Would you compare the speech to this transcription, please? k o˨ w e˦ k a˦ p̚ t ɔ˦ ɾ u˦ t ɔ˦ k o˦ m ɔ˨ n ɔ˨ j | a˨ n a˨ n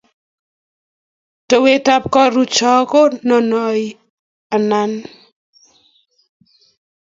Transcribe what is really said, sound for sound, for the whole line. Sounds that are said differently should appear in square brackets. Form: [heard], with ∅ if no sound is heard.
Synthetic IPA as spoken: [t] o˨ w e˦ [t] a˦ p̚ [k] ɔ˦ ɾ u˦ [t͡ʃ] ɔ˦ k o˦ [n] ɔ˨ n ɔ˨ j | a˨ n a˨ n